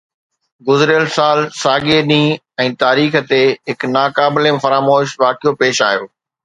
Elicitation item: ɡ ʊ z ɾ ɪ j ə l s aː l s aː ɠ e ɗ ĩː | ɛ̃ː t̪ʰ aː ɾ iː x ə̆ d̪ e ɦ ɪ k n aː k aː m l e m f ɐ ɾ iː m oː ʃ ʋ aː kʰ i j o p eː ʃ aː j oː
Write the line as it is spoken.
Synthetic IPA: ɡ ʊ z ɾ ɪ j ə l s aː l s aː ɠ e ɗ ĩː | ɛ̃ː t̪ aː ɾ iː x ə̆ t̪ e ɦ ɪ k n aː k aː b l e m f ɐ ɾ aː m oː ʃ ʋ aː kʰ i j o p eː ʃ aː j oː